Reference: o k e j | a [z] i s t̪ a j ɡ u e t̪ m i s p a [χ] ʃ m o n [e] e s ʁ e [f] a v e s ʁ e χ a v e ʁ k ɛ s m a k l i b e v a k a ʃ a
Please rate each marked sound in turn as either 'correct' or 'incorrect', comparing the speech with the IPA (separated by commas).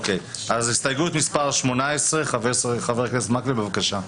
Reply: correct, incorrect, incorrect, incorrect